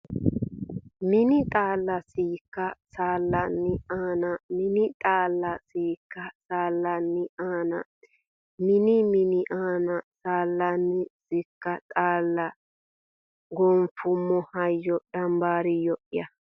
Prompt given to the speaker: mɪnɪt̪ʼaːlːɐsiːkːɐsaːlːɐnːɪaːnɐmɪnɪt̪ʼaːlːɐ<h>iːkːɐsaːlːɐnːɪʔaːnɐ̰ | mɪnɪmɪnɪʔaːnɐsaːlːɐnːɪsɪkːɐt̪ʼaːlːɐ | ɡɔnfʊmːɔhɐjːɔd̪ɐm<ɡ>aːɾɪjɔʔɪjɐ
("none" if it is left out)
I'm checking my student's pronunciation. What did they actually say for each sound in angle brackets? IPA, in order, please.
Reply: s, b

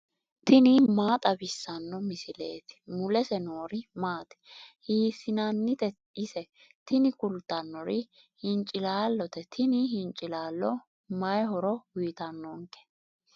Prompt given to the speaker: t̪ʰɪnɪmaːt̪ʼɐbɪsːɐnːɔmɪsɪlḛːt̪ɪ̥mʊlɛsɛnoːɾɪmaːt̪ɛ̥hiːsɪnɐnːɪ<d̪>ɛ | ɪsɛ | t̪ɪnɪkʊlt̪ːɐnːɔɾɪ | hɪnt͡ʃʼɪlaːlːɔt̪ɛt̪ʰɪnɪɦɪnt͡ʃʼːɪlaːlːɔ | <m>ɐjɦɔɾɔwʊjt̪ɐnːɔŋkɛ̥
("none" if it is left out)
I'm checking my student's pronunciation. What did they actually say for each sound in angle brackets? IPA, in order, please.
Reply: t̪, m

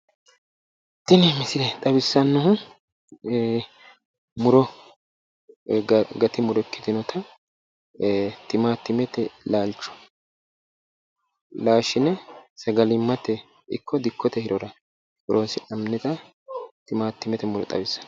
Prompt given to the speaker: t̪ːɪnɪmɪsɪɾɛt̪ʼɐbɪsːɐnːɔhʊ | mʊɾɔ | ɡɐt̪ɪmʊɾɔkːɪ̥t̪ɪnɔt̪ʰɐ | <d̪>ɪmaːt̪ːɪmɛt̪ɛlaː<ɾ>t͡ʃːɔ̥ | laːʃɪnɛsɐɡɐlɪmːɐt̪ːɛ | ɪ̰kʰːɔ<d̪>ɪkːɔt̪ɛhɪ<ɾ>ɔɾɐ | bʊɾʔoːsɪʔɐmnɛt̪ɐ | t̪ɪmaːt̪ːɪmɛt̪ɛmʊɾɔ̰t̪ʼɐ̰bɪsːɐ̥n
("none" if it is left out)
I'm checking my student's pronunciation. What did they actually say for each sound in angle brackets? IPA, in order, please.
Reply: t̪, l, d̪, ɾ

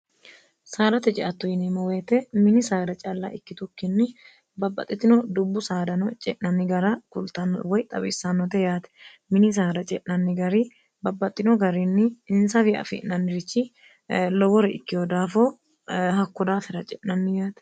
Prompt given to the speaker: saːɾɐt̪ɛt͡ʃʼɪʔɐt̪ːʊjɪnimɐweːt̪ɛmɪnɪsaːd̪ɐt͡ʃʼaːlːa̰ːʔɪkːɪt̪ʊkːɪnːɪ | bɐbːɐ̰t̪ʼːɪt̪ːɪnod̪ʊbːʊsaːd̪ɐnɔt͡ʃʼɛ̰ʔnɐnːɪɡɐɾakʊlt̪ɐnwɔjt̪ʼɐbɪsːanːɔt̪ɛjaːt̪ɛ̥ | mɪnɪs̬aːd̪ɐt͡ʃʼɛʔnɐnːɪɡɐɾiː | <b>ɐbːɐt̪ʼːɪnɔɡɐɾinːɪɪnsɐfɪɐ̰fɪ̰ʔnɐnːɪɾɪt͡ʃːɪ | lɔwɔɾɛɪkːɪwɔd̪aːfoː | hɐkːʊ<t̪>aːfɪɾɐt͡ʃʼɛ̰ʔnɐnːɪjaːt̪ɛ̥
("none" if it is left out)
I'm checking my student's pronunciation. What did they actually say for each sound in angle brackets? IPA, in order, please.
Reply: b, d̪

